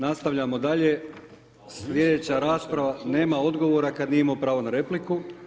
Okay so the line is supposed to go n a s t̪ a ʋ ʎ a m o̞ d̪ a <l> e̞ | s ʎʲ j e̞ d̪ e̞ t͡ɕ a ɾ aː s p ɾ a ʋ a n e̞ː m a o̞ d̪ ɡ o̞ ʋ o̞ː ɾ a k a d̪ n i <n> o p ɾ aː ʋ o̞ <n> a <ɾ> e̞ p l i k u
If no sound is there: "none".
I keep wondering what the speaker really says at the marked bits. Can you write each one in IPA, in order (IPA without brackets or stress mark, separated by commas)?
ʎ, m, n, ɾ